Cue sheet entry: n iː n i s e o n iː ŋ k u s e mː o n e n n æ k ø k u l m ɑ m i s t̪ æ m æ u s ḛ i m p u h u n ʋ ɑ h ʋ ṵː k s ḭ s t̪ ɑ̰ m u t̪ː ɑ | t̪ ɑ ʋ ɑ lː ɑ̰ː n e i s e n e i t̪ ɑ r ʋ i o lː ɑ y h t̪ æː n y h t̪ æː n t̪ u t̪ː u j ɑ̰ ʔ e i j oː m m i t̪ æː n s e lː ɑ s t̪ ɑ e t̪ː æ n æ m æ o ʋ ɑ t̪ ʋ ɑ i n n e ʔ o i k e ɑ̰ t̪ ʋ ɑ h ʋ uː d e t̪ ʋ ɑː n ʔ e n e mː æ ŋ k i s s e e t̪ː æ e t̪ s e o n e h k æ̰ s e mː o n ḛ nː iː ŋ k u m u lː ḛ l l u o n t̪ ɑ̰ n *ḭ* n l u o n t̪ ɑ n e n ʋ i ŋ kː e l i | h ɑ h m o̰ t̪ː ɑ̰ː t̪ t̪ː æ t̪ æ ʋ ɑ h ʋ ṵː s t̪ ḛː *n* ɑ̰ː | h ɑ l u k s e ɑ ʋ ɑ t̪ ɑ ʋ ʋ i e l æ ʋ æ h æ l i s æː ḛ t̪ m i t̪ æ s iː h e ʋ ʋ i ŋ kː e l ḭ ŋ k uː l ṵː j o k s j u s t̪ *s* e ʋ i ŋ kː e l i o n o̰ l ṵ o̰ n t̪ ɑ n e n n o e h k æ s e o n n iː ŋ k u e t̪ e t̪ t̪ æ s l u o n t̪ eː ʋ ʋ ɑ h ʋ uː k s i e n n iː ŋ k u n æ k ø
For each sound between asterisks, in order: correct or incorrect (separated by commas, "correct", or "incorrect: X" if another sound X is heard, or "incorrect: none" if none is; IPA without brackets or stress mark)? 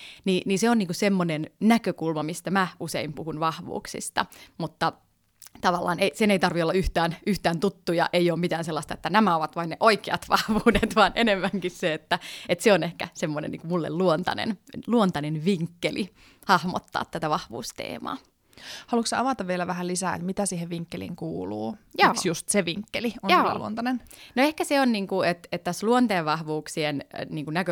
incorrect: ḛ, incorrect: m, correct